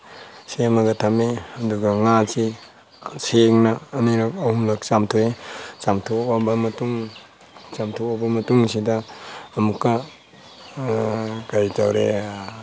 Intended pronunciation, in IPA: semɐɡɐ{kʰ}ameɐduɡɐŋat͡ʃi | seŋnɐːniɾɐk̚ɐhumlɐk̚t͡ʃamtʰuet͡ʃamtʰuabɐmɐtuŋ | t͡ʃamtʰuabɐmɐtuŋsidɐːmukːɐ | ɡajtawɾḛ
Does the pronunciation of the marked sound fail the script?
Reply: yes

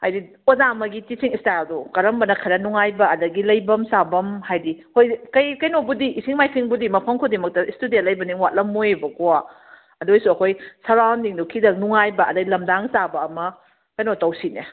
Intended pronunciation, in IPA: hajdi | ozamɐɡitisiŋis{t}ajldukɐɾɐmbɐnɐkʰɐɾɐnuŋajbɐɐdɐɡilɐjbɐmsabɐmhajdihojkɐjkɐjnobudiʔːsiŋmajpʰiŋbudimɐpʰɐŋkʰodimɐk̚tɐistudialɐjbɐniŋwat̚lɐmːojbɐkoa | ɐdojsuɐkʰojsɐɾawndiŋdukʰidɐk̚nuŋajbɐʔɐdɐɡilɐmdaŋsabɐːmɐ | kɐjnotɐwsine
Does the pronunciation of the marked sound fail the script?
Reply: no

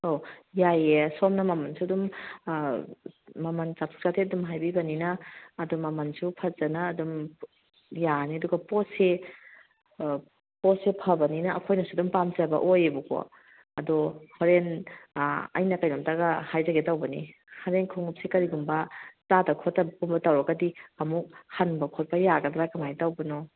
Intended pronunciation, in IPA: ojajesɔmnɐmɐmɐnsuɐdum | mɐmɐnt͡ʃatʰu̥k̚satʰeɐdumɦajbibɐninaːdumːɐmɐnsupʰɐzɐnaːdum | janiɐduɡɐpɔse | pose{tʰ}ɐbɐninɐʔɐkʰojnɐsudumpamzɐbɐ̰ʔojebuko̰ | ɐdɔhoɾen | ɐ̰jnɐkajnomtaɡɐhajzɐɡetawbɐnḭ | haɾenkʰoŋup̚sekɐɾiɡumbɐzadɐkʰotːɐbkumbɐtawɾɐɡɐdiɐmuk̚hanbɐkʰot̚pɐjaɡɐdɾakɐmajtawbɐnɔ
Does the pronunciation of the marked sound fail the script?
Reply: yes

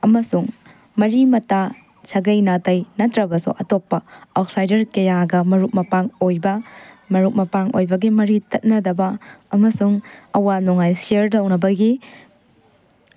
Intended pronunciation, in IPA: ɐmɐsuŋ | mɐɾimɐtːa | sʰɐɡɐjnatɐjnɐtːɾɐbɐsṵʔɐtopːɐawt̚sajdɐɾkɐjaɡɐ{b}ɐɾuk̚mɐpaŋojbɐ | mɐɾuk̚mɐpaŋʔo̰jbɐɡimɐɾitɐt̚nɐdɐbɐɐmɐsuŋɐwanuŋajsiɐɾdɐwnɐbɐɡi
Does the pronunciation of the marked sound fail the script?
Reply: yes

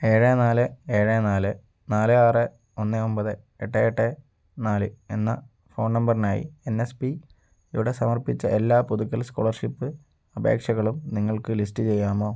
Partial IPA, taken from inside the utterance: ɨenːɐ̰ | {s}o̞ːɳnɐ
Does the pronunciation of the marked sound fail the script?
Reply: yes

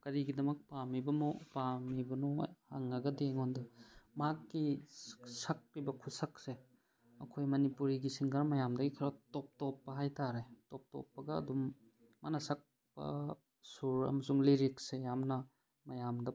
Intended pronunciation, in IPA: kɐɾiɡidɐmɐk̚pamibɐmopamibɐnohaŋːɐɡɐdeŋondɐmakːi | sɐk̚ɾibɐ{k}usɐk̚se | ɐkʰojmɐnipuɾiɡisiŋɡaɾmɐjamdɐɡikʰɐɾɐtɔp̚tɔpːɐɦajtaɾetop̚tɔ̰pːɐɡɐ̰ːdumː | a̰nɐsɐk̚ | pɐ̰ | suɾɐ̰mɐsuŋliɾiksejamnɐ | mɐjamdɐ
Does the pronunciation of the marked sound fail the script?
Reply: yes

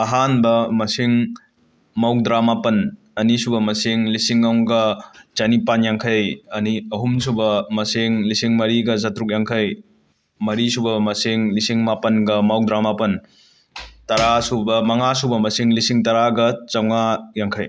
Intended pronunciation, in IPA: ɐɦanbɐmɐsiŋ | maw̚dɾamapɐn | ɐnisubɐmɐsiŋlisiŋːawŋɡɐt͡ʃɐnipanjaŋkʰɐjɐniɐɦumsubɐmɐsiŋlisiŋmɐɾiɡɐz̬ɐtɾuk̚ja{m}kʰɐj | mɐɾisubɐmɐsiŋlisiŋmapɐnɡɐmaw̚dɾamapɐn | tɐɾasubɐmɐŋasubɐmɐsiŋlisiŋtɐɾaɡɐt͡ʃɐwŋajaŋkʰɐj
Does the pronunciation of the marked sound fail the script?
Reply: yes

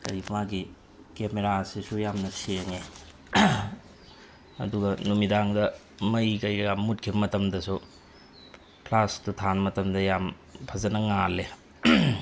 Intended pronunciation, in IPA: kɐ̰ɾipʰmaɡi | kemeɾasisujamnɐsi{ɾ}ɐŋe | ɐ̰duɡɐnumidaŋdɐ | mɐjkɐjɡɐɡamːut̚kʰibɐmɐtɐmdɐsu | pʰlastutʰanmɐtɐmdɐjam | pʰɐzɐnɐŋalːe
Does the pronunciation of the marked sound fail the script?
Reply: no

